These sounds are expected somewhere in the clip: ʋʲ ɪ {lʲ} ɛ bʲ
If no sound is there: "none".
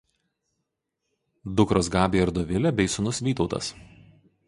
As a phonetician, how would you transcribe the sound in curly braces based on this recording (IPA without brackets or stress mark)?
lʲ